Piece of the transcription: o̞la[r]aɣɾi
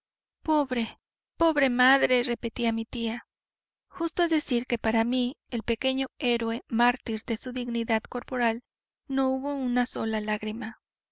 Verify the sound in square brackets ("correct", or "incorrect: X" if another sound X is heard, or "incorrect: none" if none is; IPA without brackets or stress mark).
incorrect: l